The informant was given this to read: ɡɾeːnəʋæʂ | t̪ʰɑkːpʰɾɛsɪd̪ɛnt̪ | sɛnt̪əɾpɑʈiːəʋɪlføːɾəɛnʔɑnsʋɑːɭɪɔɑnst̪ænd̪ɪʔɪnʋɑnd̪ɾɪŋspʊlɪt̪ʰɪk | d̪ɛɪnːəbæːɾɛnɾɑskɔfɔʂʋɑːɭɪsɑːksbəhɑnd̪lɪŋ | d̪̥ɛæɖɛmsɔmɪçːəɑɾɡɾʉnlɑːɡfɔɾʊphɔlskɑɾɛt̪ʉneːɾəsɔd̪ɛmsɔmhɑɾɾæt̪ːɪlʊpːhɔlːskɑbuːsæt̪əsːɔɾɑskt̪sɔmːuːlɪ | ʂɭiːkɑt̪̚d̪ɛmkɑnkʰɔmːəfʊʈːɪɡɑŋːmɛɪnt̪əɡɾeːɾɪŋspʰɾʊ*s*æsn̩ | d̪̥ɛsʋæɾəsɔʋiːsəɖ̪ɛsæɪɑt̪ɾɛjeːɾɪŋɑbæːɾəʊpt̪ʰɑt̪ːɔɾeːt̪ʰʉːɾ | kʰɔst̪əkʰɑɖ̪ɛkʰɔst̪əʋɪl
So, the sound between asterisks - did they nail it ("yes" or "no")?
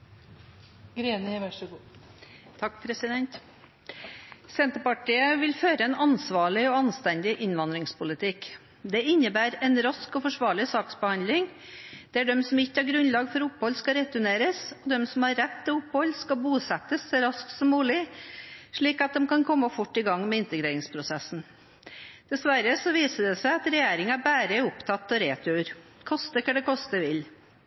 yes